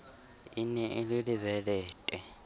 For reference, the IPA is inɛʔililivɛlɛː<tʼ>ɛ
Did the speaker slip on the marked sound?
no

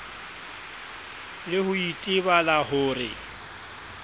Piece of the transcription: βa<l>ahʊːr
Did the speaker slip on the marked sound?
no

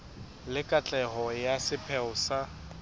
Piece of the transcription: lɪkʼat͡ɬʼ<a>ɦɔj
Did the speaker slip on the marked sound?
yes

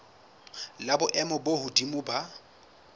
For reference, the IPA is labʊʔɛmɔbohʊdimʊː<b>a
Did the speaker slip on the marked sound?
no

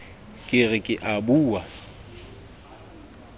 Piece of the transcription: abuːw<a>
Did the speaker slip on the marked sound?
no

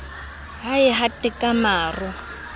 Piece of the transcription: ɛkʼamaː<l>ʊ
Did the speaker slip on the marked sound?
yes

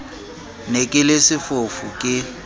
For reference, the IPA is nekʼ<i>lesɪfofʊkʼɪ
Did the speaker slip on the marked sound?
yes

